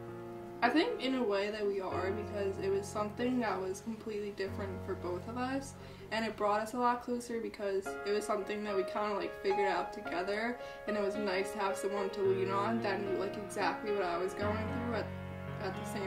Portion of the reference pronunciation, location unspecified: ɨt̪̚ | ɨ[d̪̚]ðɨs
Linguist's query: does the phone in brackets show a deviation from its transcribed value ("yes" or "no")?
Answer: yes